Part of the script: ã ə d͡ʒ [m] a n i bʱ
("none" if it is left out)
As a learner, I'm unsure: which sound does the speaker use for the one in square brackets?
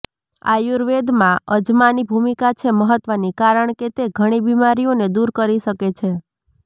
m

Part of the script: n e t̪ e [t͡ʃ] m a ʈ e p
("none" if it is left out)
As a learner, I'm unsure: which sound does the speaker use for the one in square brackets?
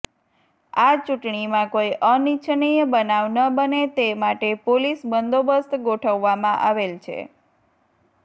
none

